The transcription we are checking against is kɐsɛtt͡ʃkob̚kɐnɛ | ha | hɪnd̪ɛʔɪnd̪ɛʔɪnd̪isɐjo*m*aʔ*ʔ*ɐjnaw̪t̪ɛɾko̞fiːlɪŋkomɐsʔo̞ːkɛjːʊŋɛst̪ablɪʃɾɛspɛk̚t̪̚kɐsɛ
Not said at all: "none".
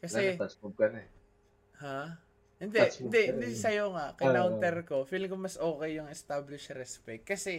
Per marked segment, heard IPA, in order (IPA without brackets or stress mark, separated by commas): ŋ, k